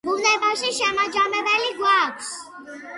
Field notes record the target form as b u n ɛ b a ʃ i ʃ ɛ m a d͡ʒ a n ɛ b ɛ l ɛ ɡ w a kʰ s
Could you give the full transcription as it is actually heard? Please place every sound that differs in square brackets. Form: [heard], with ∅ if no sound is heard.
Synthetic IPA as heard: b u n ɛ b a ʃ i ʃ ɛ m a d͡ʒ a [m] ɛ b ɛ l [i] ɡ w a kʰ s